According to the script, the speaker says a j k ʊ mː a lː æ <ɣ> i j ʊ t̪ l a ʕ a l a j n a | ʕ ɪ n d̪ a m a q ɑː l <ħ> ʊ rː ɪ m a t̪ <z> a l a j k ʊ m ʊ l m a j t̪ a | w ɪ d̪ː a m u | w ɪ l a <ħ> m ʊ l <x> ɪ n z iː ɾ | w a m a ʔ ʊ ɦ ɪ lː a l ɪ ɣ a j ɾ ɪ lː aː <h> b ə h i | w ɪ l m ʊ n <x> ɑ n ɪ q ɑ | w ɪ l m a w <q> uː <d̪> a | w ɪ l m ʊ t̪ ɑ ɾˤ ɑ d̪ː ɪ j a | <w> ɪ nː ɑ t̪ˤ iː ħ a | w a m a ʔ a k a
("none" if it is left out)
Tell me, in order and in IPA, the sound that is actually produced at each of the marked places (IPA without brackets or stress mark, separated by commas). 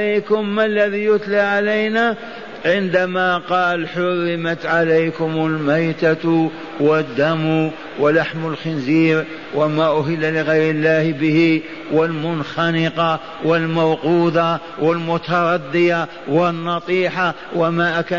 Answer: ð, ħ, ʕ, ħ, x, h, x, q, d̪, w